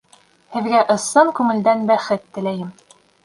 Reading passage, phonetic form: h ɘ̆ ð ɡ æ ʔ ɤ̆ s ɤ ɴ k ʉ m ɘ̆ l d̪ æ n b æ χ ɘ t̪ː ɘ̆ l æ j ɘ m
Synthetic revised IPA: h ɘ̆ ð ɡ æ ʔ ɤ̆ s ɤ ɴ k ʉ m ɘ̆ l d̪ æ n b æ χ ɘ t̪ː ɘ̆ l æ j ɘ m